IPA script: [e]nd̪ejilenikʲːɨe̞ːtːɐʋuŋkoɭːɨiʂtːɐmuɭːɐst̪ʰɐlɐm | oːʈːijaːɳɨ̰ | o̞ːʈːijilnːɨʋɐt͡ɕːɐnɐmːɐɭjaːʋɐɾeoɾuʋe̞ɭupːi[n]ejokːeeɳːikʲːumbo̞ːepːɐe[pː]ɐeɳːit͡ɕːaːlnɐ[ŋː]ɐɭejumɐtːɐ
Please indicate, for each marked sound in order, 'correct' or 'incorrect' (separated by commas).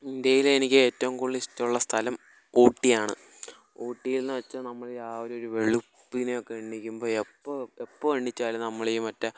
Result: incorrect, correct, correct, incorrect